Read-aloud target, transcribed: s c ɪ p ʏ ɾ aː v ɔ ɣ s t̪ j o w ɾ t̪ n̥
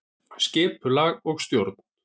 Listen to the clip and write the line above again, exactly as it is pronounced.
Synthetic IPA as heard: s c ɪː p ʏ l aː ɣ ɔ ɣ s t̪ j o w ɾ t̪ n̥